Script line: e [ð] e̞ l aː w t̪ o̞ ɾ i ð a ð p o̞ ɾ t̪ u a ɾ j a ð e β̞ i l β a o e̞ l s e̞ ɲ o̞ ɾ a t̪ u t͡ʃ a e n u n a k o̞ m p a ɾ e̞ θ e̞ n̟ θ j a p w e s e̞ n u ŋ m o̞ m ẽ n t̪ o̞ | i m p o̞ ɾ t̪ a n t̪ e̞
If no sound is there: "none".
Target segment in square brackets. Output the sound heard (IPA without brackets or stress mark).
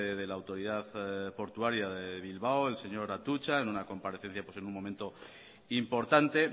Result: ð